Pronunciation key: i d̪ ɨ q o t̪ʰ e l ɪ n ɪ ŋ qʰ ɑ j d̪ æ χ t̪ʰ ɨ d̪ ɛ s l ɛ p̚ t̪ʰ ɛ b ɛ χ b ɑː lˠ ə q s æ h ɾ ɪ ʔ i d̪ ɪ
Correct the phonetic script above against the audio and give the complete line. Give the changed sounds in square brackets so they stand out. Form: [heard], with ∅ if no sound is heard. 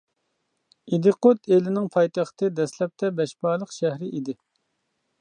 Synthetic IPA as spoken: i d̪ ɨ q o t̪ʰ e l ɪ n ɪ ŋ [pʰ] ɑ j [t̪] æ χ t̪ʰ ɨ d̪ ɛ s l ɛ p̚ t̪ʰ ɛ b ɛ [ʃ] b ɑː lˠ ə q [ʃ] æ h ɾ ɪ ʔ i d̪ ɪ